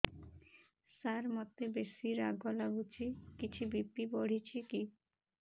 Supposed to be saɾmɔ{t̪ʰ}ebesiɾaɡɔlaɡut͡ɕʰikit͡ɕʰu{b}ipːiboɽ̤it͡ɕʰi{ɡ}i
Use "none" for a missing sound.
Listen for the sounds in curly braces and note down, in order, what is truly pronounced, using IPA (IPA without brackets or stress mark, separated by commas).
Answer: t̪, b, k